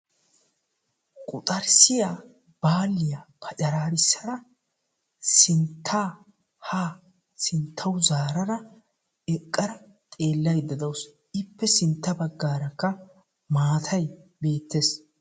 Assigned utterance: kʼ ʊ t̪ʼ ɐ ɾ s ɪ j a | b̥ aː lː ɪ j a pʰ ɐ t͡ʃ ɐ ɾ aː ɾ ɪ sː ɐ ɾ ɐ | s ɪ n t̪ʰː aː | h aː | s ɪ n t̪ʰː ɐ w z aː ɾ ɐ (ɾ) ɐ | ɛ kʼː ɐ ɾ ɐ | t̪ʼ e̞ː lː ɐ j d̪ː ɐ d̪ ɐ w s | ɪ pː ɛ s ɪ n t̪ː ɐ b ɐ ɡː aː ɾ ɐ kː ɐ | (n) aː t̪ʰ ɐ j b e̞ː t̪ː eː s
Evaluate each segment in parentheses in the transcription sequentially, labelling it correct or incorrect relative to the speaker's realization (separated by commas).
correct, incorrect